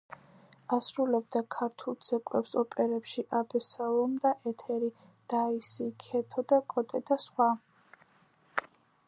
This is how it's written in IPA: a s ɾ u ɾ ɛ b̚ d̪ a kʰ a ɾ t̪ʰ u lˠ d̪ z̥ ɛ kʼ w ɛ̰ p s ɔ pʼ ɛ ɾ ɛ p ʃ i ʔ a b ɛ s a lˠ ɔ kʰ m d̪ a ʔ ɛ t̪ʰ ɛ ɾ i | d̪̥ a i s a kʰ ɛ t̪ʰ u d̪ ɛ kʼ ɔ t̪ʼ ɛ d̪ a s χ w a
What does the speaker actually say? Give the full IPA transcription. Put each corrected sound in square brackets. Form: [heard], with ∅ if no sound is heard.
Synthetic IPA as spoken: a s ɾ u [l] ɛ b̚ d̪ a kʰ a ɾ t̪ʰ u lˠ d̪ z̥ ɛ kʼ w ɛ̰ p s ɔ pʼ ɛ ɾ ɛ p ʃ i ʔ a b ɛ s a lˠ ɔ [∅] m d̪ a ʔ ɛ t̪ʰ ɛ ɾ i | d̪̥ a i s [i] kʰ ɛ t̪ʰ [ɔ] d̪ [a] kʼ ɔ t̪ʼ ɛ d̪ a s χ w a